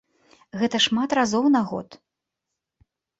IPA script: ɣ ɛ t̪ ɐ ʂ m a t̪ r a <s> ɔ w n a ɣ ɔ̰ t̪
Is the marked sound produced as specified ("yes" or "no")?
no